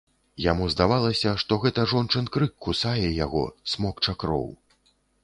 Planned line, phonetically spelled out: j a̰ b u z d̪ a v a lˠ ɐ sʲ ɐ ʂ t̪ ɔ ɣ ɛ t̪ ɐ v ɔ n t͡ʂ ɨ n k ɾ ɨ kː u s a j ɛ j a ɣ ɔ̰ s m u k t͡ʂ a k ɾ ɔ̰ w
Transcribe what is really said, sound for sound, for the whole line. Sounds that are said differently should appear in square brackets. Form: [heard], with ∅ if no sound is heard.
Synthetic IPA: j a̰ [m] u z d̪ a v a lˠ ɐ sʲ ɐ ʂ t̪ ɔ ɣ ɛ t̪ ɐ [ʐ] ɔ n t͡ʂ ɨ n k ɾ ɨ kː u s a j ɛ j a ɣ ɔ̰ s m [ɔ] k t͡ʂ a k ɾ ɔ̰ w

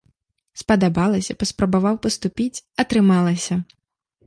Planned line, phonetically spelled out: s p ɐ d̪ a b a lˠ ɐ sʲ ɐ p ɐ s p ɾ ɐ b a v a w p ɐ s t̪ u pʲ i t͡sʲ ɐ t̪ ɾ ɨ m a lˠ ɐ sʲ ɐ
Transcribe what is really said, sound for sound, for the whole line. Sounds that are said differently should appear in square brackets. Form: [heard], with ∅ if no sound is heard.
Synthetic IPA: s p ɐ d̪ a b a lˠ ɐ sʲ ɐ p ɐ s p ɾ ɐ b a v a w p ɐ s t̪ u pʲ i t͡sʲ ɐ t̪ ɾ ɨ m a lˠ ɐ sʲ ɐ

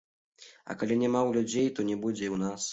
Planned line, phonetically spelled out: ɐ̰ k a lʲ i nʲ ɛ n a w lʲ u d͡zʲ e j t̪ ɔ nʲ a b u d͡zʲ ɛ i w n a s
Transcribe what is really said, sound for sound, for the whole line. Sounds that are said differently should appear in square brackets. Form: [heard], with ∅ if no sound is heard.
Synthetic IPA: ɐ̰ k a lʲ i nʲ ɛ [m] a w lʲ u d͡zʲ e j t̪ ɔ nʲ [ɛ] b u d͡zʲ ɛ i w n a s

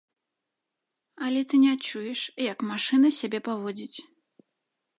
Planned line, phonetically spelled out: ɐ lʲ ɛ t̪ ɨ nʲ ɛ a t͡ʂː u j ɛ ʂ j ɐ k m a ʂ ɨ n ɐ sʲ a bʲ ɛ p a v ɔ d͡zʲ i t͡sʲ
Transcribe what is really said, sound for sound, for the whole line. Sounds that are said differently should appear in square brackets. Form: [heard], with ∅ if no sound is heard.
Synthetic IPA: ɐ lʲ ɛ t̪ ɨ nʲ ɛ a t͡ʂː u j ɛ ʂ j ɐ k m a ʂ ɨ n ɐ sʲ a bʲ ɛ p a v ɔ d͡zʲ i t͡sʲ

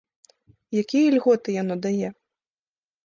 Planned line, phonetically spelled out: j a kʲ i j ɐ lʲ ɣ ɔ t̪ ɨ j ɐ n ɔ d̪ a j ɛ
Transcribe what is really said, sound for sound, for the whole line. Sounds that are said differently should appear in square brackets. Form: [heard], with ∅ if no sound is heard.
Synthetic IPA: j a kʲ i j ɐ lʲ ɣ ɔ t̪ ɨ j [a] n ɔ d̪ a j ɛ

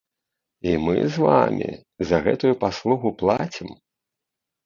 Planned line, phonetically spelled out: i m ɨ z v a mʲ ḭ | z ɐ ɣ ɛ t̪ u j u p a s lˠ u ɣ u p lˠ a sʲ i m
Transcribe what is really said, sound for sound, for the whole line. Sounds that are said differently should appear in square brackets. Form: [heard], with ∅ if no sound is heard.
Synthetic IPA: i m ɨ z v a mʲ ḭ | z ɐ ɣ ɛ t̪ u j u p a s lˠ u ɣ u p lˠ a [t͡sʲ] i m

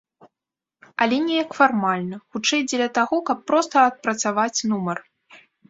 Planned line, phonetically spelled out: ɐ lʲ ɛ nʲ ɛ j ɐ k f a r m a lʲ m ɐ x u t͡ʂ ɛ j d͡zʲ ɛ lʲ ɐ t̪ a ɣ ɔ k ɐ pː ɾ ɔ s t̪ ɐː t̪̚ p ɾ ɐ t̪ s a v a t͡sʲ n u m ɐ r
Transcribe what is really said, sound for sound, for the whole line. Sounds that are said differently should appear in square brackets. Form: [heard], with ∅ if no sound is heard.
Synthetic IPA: ɐ lʲ ɛ nʲ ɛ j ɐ k f a r m a lʲ [n] ɐ x u t͡ʂ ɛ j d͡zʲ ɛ lʲ ɐ t̪ a ɣ ɔ k ɐ pː ɾ ɔ s t̪ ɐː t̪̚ p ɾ ɐ t̪ s a v a t͡sʲ n u m ɐ r

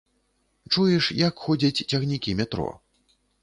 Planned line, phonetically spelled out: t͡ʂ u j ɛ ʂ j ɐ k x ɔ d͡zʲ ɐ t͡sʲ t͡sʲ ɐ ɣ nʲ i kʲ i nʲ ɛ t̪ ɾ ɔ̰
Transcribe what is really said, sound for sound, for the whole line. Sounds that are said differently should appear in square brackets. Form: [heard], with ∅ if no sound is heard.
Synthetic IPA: t͡ʂ u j ɛ ʂ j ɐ k x ɔ d͡zʲ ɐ t͡sʲ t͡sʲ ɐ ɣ nʲ i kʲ i [mʲ] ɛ t̪ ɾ ɔ̰

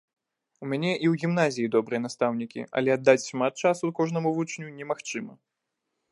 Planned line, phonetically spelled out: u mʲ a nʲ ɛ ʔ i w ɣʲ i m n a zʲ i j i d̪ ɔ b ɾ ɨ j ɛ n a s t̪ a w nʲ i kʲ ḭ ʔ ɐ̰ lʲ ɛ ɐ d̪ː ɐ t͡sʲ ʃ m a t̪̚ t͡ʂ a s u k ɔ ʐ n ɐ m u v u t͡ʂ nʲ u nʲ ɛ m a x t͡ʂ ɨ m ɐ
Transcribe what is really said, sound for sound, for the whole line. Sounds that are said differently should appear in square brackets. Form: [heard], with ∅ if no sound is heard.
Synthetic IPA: u mʲ a nʲ ɛ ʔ i w ɣʲ i m n a zʲ i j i d̪ ɔ b ɾ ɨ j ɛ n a s t̪ a w nʲ i kʲ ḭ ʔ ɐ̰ lʲ ɛ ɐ d̪ː [a] t͡sʲ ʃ m a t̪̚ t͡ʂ a s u k ɔ ʐ n ɐ m u v u t͡ʂ nʲ u nʲ ɛ m a x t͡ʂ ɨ m ɐ

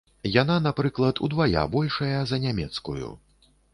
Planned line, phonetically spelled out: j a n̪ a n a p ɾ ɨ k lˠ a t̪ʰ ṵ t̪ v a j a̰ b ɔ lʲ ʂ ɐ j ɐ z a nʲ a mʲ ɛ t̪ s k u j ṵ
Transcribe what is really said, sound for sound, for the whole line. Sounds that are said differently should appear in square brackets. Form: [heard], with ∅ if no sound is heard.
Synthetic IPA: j a n̪ a n a p ɾ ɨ k lˠ [ɐ] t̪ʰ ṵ [d̪] v a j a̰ b ɔ lʲ ʂ ɐ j ɐ z [ɐ] nʲ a mʲ ɛ t̪ s k u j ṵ

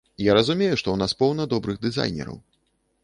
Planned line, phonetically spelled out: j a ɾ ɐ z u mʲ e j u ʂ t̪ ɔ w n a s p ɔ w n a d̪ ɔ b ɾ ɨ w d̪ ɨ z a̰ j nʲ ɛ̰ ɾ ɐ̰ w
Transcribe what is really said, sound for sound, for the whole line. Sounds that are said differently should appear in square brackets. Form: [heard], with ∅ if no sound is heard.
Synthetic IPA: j a ɾ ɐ z u mʲ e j u ʂ t̪ ɔ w n a s p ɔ w n [ɐ] d̪ ɔ b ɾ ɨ [ɣ] d̪ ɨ z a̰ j nʲ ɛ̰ ɾ ɐ̰ w

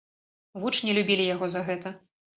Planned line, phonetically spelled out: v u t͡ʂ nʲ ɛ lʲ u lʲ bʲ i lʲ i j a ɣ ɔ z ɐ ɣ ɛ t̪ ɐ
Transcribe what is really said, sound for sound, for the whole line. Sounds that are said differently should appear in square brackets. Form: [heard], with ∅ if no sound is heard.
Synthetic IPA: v u t͡ʂ nʲ ɛ lʲ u [∅] bʲ i lʲ i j a ɣ ɔ z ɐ ɣ ɛ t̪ ɐ

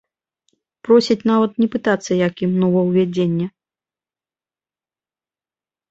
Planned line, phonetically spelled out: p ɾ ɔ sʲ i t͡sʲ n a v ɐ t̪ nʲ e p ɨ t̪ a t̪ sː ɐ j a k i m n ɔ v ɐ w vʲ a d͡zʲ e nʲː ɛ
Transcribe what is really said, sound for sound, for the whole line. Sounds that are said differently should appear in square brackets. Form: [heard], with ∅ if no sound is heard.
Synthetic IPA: p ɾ ɔ sʲ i t͡sʲ n a v ɐ t̪ nʲ [ɛ] p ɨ t̪ a t̪ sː ɐ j a k i m n ɔ v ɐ w vʲ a d͡zʲ e nʲː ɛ

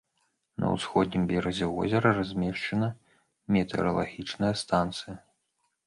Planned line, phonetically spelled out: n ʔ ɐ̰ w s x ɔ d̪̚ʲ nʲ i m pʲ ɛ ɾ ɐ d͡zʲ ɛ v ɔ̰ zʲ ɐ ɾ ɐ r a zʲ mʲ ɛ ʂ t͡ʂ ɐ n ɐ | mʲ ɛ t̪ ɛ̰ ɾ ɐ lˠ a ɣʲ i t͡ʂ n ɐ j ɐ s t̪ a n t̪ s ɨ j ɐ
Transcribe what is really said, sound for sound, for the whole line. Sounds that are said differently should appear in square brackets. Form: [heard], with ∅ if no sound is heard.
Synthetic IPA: n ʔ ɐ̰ w s x ɔ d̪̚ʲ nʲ i m [bʲ] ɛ ɾ ɐ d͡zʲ ɛ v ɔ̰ zʲ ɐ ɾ ɐ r a zʲ mʲ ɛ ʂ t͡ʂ ɐ n ɐ | mʲ ɛ t̪ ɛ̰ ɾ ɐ lˠ a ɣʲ i t͡ʂ n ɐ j ɐ s t̪ a n t̪ s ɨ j ɐ

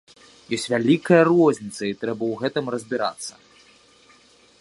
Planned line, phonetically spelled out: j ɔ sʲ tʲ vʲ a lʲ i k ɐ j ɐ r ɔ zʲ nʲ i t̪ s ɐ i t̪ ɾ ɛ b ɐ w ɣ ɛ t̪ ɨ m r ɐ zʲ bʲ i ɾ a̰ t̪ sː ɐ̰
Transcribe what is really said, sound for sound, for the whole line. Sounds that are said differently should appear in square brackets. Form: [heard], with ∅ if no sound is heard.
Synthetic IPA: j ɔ sʲ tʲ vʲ a lʲ i k ɐ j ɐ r ɔ zʲ nʲ i t̪ s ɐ i t̪ ɾ ɛ b ɐ w ɣ ɛ t̪ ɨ m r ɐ zʲ bʲ i ɾ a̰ t̪ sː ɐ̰

